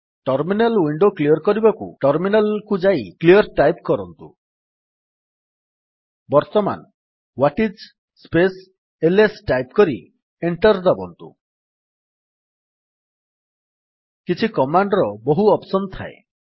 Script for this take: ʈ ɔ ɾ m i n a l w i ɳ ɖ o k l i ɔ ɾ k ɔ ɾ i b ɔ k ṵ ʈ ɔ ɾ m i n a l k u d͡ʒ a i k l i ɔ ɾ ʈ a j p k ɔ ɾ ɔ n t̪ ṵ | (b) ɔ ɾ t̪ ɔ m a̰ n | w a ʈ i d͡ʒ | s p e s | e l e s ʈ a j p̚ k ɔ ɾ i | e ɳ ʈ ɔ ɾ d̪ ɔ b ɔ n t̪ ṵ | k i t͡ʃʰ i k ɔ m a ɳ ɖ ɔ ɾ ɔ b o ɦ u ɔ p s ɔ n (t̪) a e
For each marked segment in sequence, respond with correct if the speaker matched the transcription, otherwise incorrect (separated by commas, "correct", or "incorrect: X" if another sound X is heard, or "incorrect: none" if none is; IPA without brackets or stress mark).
correct, incorrect: t̪ʰ